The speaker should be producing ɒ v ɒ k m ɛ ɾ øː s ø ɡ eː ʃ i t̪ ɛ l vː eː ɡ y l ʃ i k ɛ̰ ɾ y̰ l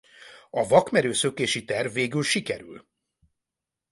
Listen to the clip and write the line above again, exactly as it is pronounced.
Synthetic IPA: ɒ v ɒ k m ɛ ɾ øː s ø k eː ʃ i t̪ ɛ r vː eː ɡ y l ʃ i k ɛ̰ ɾ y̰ l